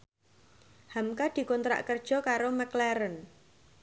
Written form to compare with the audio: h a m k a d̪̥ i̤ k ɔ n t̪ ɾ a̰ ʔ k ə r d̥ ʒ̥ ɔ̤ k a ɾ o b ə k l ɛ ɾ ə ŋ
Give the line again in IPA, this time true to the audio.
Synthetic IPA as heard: h a m k a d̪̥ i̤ k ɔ n t̪ ɾ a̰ ʔ k ə r d̥ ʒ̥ ɔ̤ k a ɾ o m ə k l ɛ ɾ ə n